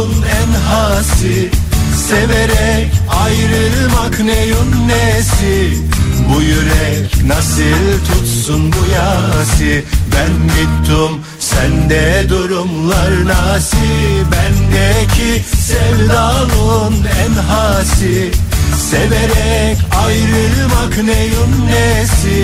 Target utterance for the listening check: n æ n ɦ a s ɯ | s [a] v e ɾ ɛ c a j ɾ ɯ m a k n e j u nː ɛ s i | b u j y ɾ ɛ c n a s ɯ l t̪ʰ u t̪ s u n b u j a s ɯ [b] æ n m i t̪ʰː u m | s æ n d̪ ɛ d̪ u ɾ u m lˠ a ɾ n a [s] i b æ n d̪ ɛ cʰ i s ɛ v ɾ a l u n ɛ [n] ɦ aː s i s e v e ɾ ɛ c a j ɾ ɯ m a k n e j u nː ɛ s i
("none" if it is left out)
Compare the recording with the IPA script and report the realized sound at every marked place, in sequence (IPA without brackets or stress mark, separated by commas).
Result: e, b, s, n